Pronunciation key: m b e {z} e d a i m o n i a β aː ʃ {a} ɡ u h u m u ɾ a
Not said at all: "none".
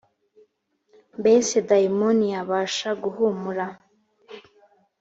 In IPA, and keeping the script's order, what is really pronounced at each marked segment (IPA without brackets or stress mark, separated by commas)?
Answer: s, a